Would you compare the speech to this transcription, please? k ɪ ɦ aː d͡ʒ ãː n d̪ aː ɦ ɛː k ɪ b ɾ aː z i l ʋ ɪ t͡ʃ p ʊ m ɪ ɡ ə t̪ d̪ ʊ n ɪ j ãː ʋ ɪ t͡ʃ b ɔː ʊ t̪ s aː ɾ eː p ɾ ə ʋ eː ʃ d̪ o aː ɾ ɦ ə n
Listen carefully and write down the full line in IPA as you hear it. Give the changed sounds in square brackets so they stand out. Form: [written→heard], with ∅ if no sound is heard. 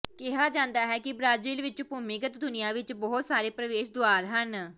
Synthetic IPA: k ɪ ɦ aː d͡ʒ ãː n d̪ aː ɦ ɛː k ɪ b ɾ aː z [i→iː] l ʋ ɪ t͡ʃ p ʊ m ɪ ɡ ə t̪ d̪ ʊ n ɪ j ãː ʋ ɪ t͡ʃ b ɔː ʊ t̪ s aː ɾ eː p ɾ ə ʋ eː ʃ d̪ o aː ɾ ɦ ə n